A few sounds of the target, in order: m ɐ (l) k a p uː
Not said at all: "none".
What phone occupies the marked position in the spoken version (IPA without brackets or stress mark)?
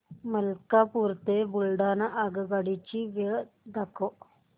l